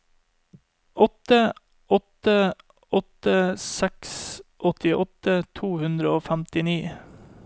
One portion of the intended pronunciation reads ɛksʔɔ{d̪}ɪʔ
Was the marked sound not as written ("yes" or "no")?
yes